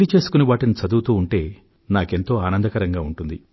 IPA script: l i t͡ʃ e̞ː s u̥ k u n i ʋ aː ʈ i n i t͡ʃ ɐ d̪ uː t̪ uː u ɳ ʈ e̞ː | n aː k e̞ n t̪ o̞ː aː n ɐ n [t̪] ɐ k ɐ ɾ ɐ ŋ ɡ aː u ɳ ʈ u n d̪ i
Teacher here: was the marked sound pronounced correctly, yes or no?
no